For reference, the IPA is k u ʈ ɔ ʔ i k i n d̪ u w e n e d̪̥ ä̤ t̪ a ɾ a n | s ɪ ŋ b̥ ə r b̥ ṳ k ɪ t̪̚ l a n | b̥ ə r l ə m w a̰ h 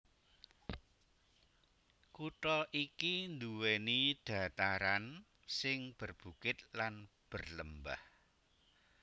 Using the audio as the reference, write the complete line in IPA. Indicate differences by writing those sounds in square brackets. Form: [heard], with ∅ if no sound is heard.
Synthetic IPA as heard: k u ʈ ɔ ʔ i k i n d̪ u w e n [i] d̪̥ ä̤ t̪ a ɾ a n | s ɪ ŋ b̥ ə r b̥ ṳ k ɪ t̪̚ l a n | b̥ ə r l ə m [b] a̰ h